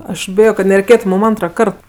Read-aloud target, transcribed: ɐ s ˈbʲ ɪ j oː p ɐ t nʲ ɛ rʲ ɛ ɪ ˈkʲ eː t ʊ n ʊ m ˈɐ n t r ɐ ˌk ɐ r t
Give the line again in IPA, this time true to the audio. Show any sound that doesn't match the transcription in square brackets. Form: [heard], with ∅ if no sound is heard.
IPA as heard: ɐ [ʃ] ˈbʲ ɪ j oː [k] ɐ t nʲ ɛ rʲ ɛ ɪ ˈkʲ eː t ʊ [m] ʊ m ˈɐ n t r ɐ ˌk ɐ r t